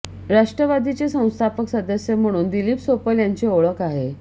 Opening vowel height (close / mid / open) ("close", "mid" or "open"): open